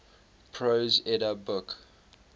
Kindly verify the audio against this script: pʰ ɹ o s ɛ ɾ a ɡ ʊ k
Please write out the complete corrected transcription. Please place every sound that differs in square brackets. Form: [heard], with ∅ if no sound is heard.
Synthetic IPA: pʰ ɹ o [z] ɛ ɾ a [b] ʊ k